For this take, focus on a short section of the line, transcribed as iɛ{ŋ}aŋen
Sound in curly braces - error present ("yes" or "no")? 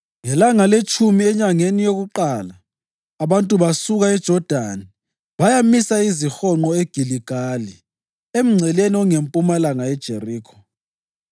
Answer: yes